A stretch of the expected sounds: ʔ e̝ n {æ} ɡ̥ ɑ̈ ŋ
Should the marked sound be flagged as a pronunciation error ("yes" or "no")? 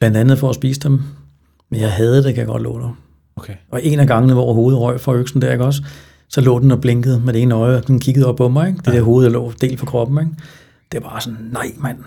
no